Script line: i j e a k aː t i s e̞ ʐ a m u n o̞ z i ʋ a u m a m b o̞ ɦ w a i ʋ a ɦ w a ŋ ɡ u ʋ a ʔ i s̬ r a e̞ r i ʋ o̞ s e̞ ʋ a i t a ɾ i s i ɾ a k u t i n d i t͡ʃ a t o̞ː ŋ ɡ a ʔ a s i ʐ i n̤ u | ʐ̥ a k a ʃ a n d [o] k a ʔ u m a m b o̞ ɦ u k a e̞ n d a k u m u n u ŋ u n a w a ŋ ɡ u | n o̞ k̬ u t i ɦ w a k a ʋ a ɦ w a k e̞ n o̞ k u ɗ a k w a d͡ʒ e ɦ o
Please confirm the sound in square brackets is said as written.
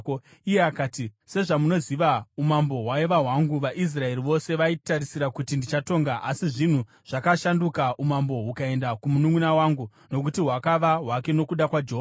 no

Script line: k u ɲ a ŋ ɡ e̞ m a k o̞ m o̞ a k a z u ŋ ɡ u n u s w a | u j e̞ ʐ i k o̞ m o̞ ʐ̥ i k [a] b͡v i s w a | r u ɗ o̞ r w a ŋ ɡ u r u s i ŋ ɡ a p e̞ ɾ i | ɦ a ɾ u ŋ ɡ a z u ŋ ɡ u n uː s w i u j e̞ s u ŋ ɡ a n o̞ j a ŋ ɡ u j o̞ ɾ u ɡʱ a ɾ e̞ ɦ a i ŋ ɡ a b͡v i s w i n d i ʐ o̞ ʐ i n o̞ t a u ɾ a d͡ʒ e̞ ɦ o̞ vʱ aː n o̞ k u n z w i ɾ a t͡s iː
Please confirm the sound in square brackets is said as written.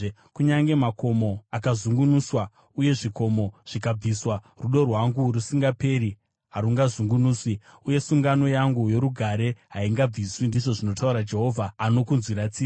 yes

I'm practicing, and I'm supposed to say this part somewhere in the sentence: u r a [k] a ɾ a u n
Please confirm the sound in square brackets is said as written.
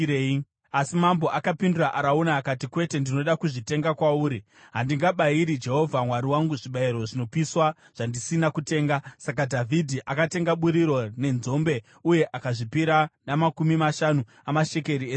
no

